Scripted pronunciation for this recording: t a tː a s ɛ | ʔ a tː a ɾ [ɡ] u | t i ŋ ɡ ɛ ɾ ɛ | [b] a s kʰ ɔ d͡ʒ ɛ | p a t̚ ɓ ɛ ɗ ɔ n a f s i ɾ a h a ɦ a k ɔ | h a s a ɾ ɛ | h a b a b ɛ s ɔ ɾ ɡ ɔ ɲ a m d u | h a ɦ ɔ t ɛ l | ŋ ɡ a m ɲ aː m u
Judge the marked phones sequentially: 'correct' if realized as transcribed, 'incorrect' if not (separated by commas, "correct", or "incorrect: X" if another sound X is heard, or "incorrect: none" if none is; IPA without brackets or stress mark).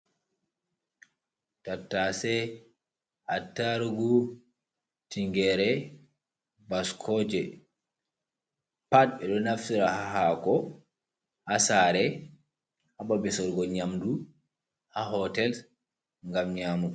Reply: correct, correct